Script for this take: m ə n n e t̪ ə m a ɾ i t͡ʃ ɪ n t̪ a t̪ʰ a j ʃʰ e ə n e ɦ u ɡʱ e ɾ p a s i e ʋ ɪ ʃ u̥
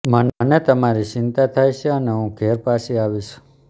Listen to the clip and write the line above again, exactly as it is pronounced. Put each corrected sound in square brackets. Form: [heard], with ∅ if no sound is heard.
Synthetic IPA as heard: m ə n n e t̪ ə m a ɾ i t͡ʃ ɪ n t̪ a t̪ʰ a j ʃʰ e ə n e ɦ [ũ] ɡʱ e ɾ p a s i [a] ʋ [i] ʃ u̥